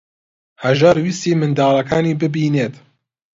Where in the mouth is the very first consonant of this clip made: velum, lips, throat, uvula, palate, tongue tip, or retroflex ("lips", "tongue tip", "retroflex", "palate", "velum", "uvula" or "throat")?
throat